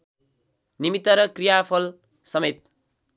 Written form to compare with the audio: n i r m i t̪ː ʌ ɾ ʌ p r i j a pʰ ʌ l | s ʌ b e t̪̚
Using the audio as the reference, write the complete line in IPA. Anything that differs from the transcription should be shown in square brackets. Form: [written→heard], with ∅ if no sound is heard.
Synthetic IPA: n i [r→∅] m i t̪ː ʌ ɾ ʌ [p→k] r i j a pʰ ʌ l | s ʌ [b→m] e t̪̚